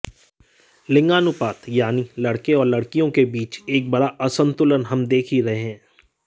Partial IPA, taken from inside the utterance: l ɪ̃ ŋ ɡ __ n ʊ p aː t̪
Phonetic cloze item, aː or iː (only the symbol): aː